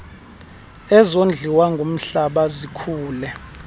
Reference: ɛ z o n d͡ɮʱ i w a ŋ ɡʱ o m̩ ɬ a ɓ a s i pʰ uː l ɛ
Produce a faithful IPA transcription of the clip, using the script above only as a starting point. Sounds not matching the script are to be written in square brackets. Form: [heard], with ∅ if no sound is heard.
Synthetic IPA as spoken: ɛ z o n d͡ɮʱ i w a ŋ ɡʱ o m̩ ɬ a ɓ a [z] i [kʰ] uː l ɛ